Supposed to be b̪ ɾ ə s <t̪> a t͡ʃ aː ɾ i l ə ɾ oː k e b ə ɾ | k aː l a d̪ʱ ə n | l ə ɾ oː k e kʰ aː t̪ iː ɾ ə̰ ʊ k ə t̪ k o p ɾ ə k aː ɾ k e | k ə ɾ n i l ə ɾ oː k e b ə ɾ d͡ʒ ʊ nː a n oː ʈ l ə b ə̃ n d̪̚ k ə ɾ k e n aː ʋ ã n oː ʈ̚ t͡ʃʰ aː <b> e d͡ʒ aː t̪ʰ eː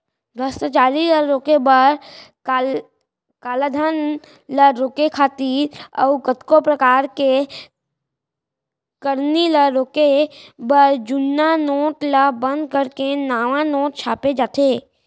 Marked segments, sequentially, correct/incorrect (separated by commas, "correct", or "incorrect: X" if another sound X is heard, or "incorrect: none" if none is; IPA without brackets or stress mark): correct, incorrect: p